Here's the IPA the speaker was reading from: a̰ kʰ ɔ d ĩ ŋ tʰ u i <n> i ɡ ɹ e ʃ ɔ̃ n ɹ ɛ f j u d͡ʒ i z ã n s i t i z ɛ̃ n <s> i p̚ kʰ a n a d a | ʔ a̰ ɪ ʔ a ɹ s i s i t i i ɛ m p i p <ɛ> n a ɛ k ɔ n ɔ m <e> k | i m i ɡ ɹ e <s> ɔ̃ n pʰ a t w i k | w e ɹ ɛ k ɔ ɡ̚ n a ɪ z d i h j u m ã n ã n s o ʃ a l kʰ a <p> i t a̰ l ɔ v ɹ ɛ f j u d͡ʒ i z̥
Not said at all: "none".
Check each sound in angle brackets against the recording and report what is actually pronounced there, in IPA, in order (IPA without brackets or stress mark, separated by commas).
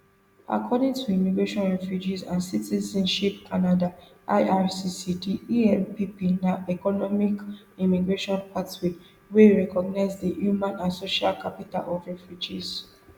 m, ʃ, i, i, ʃ, p